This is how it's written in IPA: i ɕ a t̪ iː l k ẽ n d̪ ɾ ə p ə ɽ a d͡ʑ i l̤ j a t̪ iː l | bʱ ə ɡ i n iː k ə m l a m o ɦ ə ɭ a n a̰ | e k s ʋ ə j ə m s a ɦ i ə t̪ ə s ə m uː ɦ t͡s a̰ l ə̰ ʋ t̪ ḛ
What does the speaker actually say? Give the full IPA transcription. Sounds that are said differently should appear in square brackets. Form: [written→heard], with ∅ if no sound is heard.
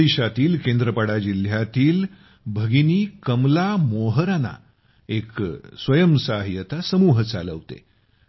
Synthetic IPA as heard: i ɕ a t̪ iː l k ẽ n d̪ ɾ ə p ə ɽ a d͡ʑ i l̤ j a t̪ iː l | bʱ ə ɡ i n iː k ə m l a m o ɦ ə [ɭ→ɾ] a n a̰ | e k s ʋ ə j ə m s a ɦ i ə t̪ [ə→a] s ə m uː ɦ t͡s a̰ l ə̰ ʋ t̪ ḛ

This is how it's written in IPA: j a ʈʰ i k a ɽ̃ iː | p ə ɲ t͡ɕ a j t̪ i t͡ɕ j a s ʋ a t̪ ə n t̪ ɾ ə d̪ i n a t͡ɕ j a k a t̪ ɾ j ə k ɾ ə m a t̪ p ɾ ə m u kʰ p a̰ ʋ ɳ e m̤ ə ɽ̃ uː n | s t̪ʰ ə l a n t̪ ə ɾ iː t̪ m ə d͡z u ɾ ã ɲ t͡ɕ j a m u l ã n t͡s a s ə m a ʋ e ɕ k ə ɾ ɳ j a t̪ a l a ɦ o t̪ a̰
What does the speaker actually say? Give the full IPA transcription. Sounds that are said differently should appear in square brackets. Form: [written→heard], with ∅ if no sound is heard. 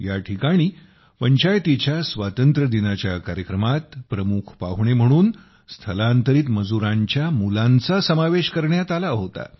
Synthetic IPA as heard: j a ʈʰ i k a ɽ̃ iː | p ə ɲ t͡ɕ a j t̪ i t͡ɕ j a s ʋ a t̪ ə n t̪ ɾ ə d̪ i n a t͡ɕ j a k a [t̪→∅] ɾ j ə k ɾ ə m a t̪ p ɾ ə m u kʰ p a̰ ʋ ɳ e m̤ ə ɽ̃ uː n | s t̪ʰ ə l a n t̪ ə ɾ iː t̪ m ə d͡z u ɾ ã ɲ t͡ɕ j a m u l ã n t͡s a s ə m a ʋ e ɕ k ə ɾ ɳ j a t̪ a l a ɦ o t̪ a̰

